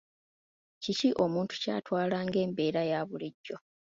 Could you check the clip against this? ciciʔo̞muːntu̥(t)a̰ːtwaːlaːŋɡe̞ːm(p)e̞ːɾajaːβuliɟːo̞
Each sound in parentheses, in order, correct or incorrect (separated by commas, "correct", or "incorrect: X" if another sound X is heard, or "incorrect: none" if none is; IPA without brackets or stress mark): incorrect: c, incorrect: b